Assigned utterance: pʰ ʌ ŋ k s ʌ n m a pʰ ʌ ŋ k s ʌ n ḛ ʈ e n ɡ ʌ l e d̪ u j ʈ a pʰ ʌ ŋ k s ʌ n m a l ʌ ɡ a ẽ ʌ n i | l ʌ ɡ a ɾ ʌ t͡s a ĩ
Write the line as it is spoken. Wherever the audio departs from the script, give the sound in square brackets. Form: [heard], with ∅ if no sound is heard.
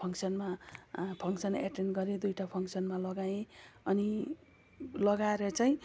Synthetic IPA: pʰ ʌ ŋ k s ʌ n m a pʰ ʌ ŋ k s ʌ n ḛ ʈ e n ɡ ʌ [ɾ] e d̪ u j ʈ a pʰ ʌ ŋ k s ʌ n m a l ʌ ɡ a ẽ ʌ n i | l ʌ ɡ a ɾ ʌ t͡s a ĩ